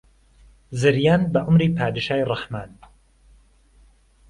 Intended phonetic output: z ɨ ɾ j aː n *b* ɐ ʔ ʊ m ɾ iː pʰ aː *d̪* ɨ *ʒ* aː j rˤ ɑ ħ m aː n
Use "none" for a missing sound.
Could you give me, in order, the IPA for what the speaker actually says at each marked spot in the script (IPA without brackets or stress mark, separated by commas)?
b, d̪, ʃ